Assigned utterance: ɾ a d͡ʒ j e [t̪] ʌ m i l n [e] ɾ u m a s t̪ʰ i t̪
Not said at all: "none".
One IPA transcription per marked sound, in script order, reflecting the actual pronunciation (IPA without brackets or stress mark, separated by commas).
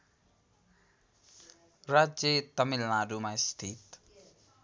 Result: t̪, a